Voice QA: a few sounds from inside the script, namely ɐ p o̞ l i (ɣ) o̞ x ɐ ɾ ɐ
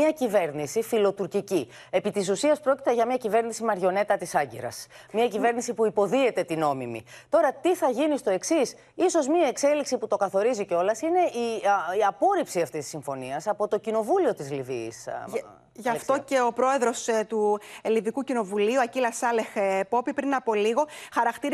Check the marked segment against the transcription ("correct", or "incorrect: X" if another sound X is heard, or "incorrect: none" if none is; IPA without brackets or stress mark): correct